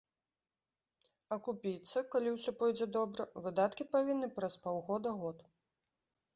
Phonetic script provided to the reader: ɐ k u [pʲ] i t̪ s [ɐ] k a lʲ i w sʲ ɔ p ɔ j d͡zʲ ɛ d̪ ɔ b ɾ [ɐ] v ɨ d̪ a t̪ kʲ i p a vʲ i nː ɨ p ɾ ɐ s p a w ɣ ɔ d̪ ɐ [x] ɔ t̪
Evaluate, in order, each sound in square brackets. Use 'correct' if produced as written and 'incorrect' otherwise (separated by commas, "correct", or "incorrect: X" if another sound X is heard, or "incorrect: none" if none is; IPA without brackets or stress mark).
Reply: correct, correct, correct, incorrect: ɣ